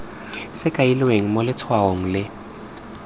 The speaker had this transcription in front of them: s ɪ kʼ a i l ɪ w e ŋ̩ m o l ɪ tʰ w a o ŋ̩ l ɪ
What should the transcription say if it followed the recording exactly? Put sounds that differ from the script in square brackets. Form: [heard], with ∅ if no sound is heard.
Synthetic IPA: s ɪ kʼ a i l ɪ w e ŋ̩ m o l ɪ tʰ w a o ŋ̩ l ɪ